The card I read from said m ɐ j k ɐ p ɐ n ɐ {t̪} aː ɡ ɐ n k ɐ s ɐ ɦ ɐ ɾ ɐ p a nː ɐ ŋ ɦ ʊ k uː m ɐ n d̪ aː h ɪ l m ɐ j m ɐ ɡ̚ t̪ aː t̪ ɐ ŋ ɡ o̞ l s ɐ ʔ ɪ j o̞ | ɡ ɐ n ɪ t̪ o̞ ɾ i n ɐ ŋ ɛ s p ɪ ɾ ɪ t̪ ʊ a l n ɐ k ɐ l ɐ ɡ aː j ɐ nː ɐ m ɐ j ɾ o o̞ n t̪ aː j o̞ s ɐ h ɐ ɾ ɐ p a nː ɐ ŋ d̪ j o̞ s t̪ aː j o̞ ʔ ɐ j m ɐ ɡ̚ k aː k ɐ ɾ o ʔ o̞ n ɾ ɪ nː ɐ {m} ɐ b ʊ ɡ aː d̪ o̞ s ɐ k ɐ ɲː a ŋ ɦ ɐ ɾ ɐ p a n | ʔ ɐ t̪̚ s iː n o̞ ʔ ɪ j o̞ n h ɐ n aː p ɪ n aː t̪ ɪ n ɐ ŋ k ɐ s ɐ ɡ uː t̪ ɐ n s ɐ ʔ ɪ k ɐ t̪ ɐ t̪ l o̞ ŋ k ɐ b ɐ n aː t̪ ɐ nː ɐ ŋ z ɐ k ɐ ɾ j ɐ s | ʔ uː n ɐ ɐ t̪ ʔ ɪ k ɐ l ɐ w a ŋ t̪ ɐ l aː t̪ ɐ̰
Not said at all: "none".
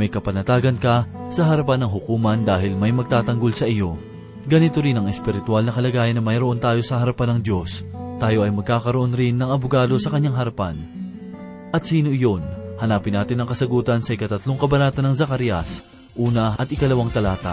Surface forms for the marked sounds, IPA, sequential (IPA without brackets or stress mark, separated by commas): t̪, ŋ